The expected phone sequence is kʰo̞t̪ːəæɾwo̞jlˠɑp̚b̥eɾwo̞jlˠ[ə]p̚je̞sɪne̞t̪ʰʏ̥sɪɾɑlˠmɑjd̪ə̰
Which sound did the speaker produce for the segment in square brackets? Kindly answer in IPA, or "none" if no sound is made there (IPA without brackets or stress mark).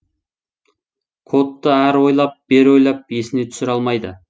ɑ